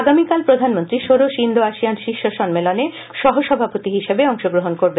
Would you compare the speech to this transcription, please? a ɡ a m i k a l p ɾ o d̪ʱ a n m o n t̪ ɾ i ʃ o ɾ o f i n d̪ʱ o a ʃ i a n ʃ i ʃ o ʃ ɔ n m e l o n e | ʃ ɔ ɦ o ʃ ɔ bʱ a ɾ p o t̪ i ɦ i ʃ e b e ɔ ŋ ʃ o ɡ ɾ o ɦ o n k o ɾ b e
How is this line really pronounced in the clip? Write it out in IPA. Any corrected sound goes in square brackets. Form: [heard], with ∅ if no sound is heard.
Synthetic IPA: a ɡ a m i k a l p ɾ o d̪ʱ a n m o n t̪ ɾ i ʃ o ɾ o [ʃ] i n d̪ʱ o a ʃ i a n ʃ i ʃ o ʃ ɔ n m e l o n e | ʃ ɔ ɦ o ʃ ɔ bʱ a [∅] p o t̪ i ɦ i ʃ e b e ɔ ŋ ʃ o ɡ ɾ o ɦ o n k o ɾ b e